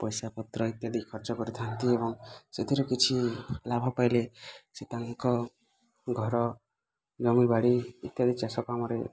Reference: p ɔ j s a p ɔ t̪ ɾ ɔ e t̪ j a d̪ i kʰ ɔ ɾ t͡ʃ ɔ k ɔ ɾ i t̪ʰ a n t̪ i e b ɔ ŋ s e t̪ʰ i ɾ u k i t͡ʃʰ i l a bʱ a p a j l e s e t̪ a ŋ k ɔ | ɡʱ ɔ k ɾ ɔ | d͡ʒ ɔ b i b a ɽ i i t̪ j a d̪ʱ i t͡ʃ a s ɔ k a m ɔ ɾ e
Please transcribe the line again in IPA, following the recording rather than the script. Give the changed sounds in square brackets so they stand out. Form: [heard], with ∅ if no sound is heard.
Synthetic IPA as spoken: p ɔ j s a p ɔ t̪ ɾ ɔ [i] t̪ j a d̪ i kʰ ɔ ɾ t͡ʃ ɔ k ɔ ɾ i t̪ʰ a n t̪ i e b ɔ ŋ s e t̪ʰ i ɾ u k i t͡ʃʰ i l a bʱ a p a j l e s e t̪ a ŋ k ɔ | ɡʱ ɔ [∅] ɾ ɔ | d͡ʒ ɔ [m] i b a ɽ i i t̪ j a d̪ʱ i t͡ʃ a s ɔ k a m ɔ ɾ e